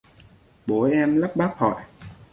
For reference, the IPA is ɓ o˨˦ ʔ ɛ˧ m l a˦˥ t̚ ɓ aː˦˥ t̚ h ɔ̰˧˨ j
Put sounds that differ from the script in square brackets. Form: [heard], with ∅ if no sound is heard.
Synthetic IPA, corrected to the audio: ɓ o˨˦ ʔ ɛ˧ m l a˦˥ [p̚] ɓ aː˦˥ [p̚] h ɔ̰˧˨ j